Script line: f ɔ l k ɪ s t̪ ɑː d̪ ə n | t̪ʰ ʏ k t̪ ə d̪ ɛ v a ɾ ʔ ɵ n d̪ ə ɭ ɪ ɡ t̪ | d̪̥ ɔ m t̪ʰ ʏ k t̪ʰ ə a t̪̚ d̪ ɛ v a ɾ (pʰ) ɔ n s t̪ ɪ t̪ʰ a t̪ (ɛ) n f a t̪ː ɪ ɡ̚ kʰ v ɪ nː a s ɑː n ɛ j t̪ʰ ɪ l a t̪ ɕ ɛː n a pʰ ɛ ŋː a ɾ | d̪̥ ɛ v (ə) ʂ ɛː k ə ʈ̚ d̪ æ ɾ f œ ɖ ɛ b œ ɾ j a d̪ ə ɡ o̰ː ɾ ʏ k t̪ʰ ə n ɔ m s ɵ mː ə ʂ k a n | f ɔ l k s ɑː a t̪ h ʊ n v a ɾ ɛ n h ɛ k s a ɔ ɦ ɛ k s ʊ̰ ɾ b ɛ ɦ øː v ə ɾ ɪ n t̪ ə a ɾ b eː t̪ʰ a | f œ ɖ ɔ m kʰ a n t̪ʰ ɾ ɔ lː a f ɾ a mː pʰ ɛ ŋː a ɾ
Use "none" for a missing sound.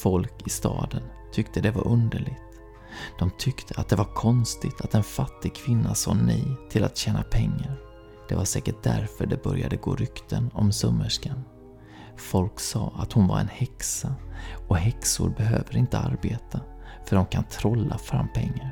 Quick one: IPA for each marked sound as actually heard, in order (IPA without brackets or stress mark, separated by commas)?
kʰ, ɛ, a